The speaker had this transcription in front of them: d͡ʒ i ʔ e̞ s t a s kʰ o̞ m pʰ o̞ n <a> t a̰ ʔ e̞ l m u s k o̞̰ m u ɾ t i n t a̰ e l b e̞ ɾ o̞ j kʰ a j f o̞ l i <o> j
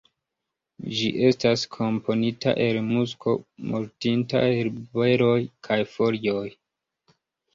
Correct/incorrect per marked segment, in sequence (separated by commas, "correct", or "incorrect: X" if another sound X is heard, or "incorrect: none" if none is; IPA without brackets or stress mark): incorrect: i, correct